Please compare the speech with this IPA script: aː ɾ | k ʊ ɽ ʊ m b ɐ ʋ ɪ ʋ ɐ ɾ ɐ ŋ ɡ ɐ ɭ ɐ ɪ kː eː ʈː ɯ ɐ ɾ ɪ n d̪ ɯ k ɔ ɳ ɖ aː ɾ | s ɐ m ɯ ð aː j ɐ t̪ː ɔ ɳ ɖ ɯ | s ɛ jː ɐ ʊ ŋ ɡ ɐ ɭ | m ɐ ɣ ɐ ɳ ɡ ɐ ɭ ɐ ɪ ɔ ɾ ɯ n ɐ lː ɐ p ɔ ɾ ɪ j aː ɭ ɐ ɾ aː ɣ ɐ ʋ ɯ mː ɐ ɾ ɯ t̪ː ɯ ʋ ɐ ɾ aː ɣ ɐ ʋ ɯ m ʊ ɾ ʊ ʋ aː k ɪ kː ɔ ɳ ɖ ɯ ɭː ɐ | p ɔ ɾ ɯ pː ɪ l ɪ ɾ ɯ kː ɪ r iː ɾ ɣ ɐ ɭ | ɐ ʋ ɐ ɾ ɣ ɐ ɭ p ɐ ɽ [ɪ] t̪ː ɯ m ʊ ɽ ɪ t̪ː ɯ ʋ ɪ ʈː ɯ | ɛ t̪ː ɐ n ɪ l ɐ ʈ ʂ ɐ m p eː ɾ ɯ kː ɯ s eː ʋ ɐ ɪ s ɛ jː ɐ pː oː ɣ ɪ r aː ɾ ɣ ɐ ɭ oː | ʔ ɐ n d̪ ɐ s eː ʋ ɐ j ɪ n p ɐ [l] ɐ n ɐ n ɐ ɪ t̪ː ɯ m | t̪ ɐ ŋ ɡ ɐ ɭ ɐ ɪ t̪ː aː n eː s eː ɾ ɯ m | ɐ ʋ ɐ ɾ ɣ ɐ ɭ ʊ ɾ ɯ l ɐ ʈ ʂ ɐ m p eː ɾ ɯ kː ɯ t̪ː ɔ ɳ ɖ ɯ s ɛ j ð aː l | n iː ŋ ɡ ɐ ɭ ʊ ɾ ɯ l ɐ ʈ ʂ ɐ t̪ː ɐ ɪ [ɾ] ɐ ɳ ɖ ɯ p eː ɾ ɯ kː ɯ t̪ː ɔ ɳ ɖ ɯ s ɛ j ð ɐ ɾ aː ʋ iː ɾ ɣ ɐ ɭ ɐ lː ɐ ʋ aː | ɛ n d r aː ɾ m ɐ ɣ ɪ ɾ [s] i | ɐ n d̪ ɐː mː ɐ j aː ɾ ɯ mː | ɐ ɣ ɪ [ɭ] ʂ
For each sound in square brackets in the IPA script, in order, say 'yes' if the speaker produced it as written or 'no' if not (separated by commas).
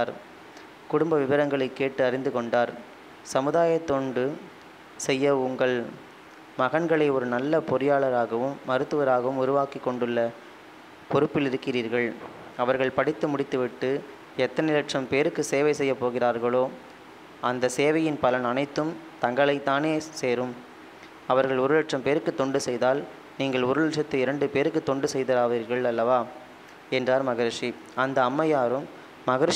yes, yes, yes, no, no